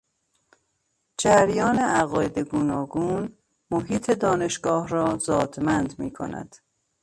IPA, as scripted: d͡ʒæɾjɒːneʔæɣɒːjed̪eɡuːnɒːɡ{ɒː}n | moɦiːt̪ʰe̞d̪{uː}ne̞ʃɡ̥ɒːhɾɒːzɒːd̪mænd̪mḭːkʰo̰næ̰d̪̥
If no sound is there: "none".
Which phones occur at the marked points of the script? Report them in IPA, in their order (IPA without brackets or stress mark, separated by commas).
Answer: uː, ɒː